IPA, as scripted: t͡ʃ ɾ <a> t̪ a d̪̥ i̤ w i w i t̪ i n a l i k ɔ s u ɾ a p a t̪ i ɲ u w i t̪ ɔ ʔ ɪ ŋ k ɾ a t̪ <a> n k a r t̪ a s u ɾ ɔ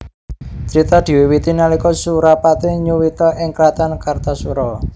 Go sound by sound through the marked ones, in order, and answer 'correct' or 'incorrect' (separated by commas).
incorrect, correct